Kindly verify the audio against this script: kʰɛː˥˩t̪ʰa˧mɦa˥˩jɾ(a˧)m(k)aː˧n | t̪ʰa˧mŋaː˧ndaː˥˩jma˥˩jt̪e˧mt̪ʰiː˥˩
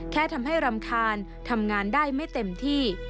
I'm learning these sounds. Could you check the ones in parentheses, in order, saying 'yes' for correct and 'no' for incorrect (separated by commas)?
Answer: yes, no